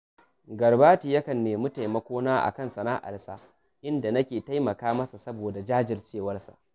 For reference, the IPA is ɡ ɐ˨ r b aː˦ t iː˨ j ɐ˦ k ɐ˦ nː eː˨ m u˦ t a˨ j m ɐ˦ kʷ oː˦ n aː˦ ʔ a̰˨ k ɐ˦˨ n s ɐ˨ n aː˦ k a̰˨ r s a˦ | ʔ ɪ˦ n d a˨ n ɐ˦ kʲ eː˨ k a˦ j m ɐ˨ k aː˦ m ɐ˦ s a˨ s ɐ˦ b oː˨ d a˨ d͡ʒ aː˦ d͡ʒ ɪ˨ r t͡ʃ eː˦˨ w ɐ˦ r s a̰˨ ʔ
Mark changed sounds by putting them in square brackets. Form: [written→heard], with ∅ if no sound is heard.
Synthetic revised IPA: ɡ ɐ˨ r b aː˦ t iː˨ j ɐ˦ k [ɐ˦→ɐ˨] nː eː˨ m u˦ t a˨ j m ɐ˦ kʷ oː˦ n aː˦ ʔ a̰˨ k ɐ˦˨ n s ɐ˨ n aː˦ [k→ʔ] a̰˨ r s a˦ | ʔ ɪ˦ n d a˨ n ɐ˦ kʲ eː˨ [k→t] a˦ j m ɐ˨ k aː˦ m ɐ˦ s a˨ s ɐ˦ b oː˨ d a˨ d͡ʒ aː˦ d͡ʒ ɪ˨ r t͡ʃ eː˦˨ w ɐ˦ r s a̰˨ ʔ